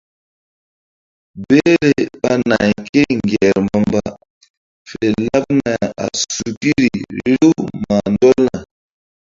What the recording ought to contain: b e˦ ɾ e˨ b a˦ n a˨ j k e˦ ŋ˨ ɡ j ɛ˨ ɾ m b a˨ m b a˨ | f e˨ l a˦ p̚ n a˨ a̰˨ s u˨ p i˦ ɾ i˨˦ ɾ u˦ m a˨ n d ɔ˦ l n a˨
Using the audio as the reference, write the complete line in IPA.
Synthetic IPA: b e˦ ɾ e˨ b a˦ n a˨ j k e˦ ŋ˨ ɡ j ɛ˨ ɾ m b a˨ m b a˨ | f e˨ l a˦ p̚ n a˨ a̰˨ s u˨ k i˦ ɾ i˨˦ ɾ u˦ m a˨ n d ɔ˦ l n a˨